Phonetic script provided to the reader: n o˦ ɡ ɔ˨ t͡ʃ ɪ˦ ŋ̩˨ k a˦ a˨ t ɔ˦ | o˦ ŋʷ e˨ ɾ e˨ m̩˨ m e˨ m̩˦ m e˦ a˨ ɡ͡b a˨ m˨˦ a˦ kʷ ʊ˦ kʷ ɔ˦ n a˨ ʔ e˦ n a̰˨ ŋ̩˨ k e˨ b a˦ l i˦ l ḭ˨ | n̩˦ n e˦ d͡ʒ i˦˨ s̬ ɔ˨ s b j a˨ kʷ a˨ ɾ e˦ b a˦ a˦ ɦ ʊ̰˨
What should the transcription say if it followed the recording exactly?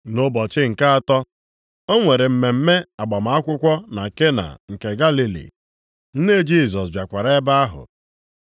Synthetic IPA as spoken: n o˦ b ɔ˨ t͡ʃ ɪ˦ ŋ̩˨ k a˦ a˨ t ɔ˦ | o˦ ŋʷ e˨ ɾ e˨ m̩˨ m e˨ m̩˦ m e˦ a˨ ɡ͡b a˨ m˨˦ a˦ kʷ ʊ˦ kʷ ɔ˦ n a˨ k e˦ n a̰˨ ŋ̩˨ k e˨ ɡ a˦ l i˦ l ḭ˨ | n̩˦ n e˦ d͡ʒ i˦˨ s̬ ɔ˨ s b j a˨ kʷ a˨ ɾ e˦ b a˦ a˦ ɦ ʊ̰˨

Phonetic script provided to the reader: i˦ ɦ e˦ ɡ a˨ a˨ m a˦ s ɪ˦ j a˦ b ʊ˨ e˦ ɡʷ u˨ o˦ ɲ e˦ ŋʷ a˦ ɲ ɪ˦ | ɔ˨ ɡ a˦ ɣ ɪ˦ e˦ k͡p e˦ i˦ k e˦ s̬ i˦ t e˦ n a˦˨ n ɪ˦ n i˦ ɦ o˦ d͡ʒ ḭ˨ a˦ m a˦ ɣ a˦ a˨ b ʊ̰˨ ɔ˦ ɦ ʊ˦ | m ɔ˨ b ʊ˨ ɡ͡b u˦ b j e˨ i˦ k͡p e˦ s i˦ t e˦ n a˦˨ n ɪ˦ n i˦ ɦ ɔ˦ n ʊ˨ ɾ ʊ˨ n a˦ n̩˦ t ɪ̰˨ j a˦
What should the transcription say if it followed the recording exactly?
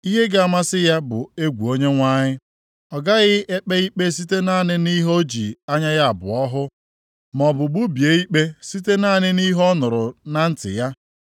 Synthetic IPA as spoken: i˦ ɦ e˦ ɡ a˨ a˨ m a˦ s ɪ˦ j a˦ b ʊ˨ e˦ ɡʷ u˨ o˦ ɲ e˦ ŋʷ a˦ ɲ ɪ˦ | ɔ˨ ɡ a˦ ɣ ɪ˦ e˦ k͡p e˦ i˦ k͡p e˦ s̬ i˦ t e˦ n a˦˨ n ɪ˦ n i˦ ɦ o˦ d͡ʒ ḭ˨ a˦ ɲ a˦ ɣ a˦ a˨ b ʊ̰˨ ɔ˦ ɦ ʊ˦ | m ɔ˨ b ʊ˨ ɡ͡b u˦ b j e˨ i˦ k͡p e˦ s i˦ t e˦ n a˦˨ n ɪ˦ n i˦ ɦ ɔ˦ n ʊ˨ ɾ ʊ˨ n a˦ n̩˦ t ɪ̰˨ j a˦

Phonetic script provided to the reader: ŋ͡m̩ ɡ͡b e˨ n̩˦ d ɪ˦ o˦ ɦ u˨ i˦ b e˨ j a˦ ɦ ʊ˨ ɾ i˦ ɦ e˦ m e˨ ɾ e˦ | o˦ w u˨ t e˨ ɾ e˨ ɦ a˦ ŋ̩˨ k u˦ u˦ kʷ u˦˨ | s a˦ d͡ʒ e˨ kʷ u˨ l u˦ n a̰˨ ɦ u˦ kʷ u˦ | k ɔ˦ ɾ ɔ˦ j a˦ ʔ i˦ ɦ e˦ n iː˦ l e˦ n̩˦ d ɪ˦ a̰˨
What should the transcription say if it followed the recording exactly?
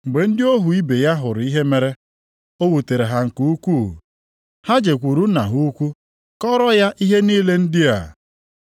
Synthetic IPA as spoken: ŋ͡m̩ ɡ͡b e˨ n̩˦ d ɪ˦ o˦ ɦ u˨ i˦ b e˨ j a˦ ɦ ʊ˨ ɾ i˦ ɦ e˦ m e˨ ɾ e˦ | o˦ w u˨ t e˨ ɾ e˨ ɦ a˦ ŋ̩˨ k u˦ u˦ kʷ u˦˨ | h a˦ d͡ʒ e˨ kʷ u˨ ɾ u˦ n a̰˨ ɦ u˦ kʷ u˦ | k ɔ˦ ɾ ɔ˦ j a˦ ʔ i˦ ɦ e˦ n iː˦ l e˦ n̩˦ d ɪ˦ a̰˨

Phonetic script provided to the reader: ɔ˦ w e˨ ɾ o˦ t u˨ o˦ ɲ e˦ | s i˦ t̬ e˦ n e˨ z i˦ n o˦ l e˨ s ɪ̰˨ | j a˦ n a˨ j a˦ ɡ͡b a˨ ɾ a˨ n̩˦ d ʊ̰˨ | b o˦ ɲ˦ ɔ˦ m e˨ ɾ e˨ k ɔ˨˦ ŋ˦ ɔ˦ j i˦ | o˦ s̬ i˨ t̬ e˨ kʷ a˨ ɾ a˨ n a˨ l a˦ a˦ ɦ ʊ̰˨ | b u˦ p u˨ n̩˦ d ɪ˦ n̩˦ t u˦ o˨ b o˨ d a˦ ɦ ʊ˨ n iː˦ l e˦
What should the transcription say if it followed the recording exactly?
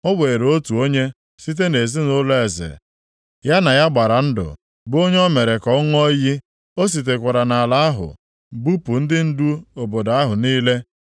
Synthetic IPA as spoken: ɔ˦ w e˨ ɾ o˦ t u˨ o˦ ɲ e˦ | s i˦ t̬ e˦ n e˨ z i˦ n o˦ l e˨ z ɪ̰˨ | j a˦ n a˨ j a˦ ɡ͡b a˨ ɾ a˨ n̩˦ d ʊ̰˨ | b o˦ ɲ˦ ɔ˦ m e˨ ɾ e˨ k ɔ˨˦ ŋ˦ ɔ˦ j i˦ | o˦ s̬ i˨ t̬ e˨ kʷ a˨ ɾ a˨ n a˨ l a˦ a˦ ɦ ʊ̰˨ | b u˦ p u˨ n̩˦ d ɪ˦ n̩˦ d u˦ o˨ b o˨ d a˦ ɦ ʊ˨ n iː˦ l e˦

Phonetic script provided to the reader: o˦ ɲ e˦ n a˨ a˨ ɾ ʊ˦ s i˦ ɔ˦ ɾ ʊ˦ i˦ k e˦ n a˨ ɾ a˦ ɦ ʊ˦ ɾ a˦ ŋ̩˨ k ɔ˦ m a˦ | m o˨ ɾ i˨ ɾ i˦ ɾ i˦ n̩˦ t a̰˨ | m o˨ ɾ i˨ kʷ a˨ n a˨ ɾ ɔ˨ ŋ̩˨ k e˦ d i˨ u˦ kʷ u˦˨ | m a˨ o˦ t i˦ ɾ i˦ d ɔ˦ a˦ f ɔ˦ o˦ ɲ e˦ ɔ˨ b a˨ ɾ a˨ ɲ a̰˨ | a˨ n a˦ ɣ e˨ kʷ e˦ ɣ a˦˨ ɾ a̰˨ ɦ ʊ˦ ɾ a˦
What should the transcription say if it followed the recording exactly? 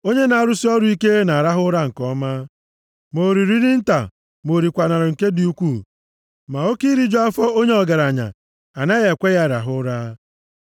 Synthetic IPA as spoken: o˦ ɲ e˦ n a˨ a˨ ɾ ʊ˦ s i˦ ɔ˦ ɾ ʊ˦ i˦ k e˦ n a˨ ɾ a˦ ɦ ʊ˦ ɾ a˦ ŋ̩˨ k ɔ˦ m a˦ | m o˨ ɾ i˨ ɾ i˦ ɾ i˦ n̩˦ t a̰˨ | m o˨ ɾ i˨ kʷ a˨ n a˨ ɾ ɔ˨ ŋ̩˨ k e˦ d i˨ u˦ kʷ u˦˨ | m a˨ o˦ k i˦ ɾ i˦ d͡ʒ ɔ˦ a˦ f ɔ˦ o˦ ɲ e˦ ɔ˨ ɡ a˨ ɾ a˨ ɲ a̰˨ | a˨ n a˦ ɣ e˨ kʷ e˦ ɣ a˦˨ ɾ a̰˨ ɦ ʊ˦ ɾ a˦

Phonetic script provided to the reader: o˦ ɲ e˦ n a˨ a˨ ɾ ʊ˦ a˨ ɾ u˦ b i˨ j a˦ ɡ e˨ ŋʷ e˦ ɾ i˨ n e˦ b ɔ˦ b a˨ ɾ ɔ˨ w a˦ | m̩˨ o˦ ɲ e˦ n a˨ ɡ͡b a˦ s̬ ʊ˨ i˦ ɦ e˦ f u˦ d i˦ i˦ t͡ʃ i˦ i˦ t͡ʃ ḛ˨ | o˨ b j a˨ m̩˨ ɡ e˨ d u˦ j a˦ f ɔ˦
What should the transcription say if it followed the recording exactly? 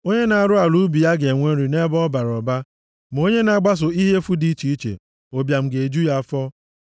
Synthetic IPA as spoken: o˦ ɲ e˦ n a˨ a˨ ɾ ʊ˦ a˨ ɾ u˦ b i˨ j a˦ ɡ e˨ ŋʷ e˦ ɾ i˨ n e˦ b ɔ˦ b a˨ ɾ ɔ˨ b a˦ | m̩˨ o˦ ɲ e˦ n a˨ ɡ͡b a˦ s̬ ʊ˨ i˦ ɦ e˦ f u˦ d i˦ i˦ t͡ʃ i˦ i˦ t͡ʃ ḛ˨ | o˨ b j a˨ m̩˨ ɡ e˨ d͡ʒ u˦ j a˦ f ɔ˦

